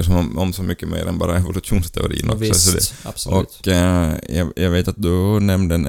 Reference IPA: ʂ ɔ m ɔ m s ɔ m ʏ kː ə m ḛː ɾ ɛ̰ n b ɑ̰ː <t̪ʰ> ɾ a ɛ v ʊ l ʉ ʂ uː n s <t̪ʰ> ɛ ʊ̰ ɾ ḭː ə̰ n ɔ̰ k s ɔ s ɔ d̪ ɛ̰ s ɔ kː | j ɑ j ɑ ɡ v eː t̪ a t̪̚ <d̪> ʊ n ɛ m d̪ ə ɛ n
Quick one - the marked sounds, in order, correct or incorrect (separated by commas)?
incorrect, correct, correct